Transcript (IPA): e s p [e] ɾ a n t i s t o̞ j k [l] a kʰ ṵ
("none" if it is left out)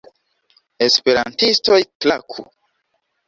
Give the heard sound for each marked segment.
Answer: e, l

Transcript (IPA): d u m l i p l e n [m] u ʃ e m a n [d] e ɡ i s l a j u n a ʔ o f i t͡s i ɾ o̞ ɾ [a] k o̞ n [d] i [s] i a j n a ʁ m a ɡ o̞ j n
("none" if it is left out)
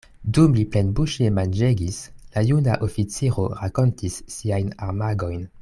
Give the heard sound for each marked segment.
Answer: b, d͡ʒ, a, t, sː

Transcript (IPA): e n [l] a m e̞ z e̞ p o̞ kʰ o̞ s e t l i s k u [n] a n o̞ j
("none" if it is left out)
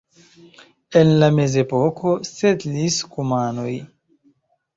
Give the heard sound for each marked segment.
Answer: l, m

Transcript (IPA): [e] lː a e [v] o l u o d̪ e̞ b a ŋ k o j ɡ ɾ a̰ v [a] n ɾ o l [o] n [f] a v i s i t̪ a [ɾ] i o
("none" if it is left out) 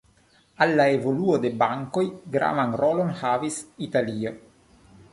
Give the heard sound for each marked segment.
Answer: a, v, a, o, h, l

